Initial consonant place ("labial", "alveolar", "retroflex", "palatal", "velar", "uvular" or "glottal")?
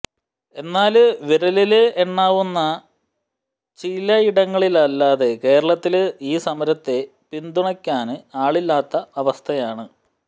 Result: alveolar